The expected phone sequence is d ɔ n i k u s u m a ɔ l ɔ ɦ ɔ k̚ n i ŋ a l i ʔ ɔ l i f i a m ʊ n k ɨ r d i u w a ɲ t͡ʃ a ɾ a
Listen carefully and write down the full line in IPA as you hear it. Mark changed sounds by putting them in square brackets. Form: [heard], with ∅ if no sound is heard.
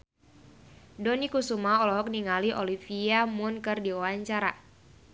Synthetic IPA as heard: d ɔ n i k u s u m a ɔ l ɔ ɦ ɔ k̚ n i ŋ a l i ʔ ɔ l i f i a m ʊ n k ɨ r d i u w a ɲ t͡ʃ a ɾ a